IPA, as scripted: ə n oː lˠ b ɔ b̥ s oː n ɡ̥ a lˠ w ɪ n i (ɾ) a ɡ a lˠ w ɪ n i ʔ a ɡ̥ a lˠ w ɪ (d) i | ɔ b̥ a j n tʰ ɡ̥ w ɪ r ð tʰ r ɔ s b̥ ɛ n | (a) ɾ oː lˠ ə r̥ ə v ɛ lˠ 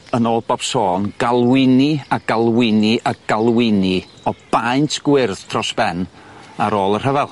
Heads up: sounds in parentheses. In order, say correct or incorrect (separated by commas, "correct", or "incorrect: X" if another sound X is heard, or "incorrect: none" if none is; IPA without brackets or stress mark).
incorrect: none, incorrect: n, correct